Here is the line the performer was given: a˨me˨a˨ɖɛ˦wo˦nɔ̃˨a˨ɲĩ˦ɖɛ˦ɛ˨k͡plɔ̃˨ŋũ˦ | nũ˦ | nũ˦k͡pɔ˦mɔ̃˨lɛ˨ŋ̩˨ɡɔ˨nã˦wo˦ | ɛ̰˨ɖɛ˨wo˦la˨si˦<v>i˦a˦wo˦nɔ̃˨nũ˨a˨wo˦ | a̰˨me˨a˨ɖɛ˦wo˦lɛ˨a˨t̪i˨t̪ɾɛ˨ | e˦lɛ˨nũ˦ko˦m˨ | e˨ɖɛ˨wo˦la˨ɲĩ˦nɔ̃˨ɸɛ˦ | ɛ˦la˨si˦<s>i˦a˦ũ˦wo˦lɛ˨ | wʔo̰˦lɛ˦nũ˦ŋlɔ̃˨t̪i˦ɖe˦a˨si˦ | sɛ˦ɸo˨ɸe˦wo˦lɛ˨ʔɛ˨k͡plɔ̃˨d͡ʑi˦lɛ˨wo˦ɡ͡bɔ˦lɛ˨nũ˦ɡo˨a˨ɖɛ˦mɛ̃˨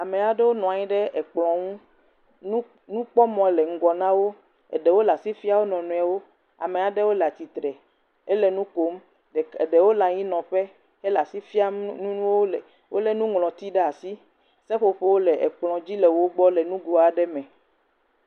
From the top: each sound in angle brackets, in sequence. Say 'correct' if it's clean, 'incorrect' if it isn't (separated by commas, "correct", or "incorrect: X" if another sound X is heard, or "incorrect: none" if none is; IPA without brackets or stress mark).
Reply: incorrect: f, incorrect: f